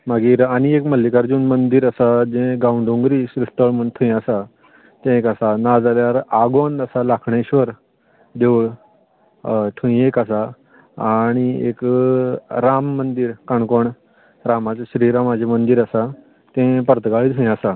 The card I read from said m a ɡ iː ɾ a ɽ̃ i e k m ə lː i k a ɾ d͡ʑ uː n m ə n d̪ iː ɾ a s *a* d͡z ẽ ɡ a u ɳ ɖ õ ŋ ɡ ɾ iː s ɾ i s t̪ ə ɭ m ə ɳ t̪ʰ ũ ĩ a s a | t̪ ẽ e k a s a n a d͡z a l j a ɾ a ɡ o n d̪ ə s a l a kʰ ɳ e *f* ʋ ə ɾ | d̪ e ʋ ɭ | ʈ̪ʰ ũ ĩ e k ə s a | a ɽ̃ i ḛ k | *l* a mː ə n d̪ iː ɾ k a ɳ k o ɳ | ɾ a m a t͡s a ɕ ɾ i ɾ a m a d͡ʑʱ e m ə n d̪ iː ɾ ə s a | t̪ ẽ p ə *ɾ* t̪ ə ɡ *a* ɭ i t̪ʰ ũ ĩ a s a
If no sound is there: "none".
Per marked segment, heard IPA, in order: a, ɕ, ɾ, ɾ, a

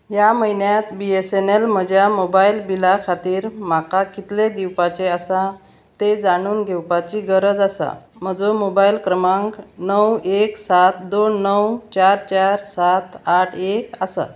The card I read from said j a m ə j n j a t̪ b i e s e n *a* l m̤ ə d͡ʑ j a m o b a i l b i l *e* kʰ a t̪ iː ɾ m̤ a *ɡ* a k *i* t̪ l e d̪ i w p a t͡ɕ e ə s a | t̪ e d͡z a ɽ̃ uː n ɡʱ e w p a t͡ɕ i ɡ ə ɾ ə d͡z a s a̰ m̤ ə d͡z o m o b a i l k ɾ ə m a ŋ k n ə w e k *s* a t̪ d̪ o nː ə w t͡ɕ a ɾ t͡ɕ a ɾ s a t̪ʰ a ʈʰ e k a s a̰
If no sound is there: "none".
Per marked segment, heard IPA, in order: e, a, k, i, s

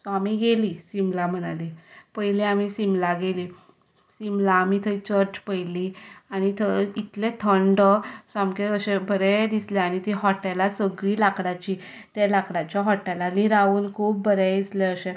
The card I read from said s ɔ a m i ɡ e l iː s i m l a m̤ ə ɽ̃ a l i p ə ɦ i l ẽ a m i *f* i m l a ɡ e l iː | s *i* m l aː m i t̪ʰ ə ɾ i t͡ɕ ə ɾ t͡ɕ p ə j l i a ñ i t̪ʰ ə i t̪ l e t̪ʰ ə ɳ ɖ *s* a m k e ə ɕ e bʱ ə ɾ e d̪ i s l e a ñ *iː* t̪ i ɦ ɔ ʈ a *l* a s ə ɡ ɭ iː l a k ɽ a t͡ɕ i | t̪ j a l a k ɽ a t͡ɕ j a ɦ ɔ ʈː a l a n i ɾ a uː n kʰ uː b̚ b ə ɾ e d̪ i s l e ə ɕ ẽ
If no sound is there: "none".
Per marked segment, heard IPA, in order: s, i, s, i, l

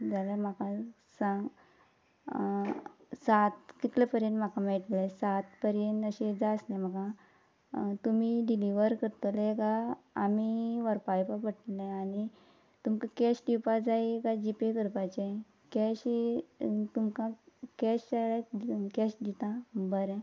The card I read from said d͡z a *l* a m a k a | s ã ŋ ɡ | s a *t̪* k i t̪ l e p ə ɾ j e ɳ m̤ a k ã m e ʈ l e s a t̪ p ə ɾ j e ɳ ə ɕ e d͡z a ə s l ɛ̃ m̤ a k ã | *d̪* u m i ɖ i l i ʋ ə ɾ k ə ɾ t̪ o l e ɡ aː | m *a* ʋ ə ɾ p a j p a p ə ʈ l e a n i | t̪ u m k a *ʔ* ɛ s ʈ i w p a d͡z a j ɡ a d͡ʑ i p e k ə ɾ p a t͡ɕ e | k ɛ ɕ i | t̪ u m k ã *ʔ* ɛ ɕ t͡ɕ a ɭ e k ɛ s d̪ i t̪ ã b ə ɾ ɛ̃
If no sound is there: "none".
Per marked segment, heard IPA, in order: l, t̪, t̪, i, k, k

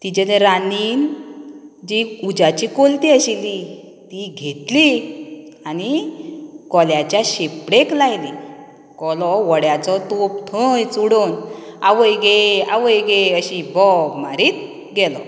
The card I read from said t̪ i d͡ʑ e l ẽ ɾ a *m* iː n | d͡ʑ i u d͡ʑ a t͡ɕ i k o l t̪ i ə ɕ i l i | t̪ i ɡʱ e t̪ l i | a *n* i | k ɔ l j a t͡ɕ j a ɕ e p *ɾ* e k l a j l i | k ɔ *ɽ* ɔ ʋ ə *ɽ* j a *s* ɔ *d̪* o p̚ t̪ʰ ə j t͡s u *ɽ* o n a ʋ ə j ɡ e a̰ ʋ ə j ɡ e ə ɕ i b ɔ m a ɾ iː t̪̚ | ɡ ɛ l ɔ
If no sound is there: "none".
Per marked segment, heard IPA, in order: n, n, ɽ, l, ɽ, t͡s, t̪, ɽ

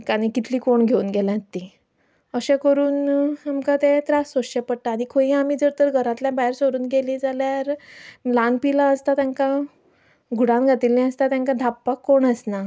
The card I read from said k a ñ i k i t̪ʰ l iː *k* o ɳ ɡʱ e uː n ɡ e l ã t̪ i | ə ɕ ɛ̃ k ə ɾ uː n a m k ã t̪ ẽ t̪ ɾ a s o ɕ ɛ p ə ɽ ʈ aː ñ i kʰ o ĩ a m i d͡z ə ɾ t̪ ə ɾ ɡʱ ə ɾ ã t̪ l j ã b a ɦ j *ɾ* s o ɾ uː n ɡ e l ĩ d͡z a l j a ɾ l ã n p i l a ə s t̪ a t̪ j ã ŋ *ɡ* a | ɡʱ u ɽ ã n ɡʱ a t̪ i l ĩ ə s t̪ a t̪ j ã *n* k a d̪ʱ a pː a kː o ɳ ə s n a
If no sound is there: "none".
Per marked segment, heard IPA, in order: k, ɾ, k, ŋ

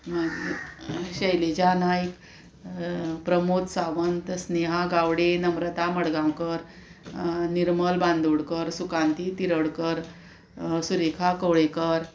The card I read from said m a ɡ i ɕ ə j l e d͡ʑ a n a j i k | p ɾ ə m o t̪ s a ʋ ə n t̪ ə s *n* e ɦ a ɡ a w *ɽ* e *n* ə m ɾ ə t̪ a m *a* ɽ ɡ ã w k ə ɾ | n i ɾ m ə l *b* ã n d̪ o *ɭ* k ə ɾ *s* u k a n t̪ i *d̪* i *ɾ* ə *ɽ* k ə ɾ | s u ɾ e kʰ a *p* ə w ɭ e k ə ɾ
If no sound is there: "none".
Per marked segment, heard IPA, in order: n, ɽ, n, ə, b, ɽ, s, t̪, ɾ, ɽ, k

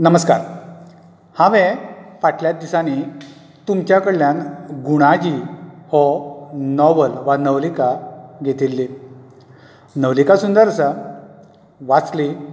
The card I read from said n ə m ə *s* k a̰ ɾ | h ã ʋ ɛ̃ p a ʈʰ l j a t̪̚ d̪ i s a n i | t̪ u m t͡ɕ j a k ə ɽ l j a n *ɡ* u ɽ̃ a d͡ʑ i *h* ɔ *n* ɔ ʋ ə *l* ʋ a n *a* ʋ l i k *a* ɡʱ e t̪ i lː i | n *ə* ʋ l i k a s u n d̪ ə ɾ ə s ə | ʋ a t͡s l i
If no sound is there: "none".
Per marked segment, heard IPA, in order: s, ɡ, h, n, l, ə, a, ə

